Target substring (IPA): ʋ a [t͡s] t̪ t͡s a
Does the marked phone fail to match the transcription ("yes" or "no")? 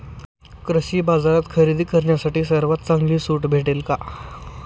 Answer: yes